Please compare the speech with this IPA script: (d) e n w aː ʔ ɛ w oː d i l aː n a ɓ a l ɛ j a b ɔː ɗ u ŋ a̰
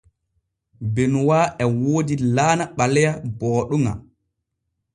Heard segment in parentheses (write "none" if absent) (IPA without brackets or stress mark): b